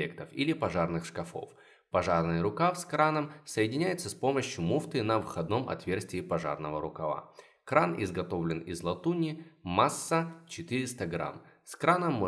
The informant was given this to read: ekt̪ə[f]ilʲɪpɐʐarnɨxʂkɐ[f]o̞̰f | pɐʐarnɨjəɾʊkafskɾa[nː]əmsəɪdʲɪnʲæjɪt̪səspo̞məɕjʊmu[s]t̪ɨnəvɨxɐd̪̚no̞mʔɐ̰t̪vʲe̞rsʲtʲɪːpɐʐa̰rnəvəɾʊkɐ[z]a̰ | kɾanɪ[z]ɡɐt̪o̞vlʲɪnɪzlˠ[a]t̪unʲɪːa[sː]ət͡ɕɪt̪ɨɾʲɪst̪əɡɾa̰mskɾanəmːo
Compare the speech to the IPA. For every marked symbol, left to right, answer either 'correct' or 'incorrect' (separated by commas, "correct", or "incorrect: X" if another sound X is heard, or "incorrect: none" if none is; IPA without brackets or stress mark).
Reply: correct, correct, incorrect: n, incorrect: f, incorrect: v, correct, incorrect: ɐ, correct